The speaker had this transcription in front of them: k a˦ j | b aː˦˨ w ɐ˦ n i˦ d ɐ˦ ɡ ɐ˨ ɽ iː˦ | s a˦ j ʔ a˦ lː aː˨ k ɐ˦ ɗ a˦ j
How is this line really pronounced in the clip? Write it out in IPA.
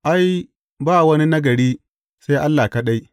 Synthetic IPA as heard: ʔ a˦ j | b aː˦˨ w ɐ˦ n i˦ n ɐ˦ ɡ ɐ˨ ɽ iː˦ | s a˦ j ʔ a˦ lː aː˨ k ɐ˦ ɗ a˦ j